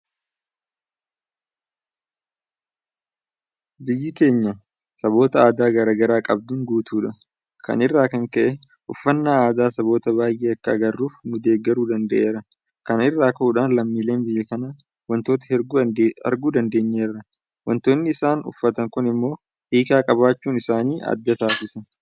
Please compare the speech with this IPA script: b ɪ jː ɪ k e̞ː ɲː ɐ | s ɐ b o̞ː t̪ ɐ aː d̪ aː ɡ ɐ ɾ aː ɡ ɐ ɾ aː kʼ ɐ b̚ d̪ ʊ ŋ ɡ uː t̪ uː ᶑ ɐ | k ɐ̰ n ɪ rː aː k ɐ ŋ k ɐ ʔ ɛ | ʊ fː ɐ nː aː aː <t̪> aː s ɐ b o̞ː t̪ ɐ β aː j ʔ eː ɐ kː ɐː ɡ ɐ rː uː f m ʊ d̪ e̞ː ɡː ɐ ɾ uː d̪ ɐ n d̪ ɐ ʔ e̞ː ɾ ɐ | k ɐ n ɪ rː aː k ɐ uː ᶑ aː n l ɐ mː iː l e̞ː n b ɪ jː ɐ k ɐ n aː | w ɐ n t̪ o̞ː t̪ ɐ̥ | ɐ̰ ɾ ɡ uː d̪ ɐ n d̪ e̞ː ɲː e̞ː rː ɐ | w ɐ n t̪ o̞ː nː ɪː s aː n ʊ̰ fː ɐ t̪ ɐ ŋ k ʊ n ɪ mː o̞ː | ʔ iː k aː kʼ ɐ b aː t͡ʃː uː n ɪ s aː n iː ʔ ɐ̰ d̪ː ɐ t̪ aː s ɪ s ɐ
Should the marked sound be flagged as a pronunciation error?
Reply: yes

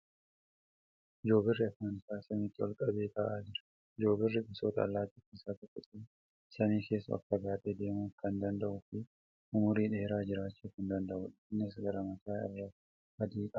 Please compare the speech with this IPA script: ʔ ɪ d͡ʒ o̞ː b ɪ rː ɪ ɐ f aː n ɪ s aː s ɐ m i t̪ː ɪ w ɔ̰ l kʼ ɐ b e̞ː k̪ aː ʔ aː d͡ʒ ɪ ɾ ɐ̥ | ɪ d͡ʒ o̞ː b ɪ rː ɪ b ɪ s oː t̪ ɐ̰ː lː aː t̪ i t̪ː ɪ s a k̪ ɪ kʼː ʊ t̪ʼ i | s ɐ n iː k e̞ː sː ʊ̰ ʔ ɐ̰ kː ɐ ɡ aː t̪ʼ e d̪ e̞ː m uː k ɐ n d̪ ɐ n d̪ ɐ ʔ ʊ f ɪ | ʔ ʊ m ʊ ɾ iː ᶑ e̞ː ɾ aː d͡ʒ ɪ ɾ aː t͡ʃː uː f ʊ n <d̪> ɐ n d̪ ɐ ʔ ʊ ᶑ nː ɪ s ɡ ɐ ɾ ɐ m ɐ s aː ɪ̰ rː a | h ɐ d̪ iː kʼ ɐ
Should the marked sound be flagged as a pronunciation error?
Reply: no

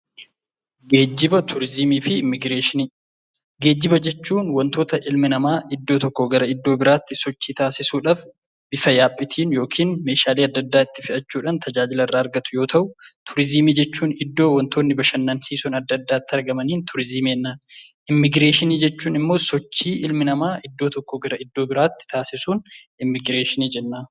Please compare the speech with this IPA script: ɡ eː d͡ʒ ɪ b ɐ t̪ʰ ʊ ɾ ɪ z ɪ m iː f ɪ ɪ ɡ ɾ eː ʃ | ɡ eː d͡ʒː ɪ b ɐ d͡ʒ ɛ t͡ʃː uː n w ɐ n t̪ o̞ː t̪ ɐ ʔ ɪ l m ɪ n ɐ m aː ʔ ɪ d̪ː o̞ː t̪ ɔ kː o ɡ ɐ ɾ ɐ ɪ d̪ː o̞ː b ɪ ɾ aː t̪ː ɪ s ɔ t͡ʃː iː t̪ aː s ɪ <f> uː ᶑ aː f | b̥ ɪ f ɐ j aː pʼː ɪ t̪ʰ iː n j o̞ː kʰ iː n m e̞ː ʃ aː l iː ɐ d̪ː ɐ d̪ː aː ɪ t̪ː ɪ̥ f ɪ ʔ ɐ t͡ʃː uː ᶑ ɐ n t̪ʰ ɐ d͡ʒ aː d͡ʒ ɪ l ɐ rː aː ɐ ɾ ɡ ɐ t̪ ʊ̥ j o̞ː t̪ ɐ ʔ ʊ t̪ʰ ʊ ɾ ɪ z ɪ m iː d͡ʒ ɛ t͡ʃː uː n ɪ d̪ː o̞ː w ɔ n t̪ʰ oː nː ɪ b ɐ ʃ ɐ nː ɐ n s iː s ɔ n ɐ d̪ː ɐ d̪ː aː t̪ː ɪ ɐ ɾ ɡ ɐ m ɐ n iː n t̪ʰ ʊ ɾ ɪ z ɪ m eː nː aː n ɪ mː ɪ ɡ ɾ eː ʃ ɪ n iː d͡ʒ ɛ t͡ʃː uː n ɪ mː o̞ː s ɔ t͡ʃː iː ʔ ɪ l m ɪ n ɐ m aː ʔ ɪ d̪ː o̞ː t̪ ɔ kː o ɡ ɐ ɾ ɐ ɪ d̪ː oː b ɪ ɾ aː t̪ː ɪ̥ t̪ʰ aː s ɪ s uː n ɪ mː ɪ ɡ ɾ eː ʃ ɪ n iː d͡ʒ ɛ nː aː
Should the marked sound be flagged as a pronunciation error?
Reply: yes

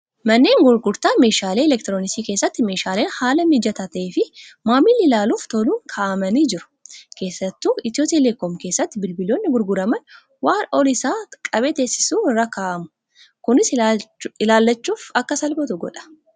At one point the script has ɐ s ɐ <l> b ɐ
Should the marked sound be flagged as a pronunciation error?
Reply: no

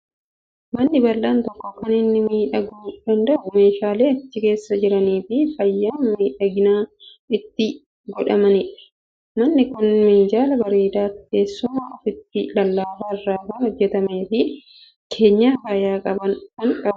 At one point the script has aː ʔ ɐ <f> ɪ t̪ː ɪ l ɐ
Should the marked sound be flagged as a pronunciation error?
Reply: no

